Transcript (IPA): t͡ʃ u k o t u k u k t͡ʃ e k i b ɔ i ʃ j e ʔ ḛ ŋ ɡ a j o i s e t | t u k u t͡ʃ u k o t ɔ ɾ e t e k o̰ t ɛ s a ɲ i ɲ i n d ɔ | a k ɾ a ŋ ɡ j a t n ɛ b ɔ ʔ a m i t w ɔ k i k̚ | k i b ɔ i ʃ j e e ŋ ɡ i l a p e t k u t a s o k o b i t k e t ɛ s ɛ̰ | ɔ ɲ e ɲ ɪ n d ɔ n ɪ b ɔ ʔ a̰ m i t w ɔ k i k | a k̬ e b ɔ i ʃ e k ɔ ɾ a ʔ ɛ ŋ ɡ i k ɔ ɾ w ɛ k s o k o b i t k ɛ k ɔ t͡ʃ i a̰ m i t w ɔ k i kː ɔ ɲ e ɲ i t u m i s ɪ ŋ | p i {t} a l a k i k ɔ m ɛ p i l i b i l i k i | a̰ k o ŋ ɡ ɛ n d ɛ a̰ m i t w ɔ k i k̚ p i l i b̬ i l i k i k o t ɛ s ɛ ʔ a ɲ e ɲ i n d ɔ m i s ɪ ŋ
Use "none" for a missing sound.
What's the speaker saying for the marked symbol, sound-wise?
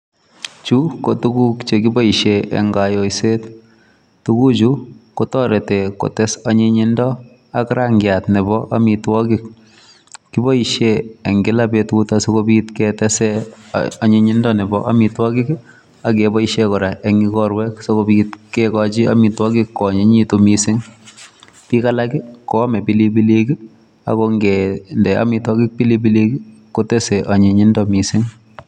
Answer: k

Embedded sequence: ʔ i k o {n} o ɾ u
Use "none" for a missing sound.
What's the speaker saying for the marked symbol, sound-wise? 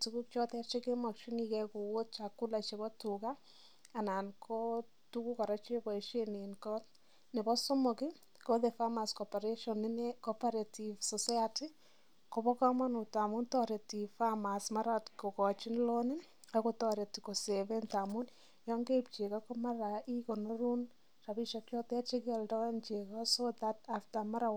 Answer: n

